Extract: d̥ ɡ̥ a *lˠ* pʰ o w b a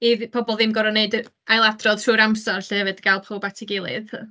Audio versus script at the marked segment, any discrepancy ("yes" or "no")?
no